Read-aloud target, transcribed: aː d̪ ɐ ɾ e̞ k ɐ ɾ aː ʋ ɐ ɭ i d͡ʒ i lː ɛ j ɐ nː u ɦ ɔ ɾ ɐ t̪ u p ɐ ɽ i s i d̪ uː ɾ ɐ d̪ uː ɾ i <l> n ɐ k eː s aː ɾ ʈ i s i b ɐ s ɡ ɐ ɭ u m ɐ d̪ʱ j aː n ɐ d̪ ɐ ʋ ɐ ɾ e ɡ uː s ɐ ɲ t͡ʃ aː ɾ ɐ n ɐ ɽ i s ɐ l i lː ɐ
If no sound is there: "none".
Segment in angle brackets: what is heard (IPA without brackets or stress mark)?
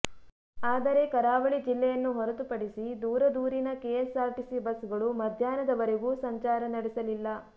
none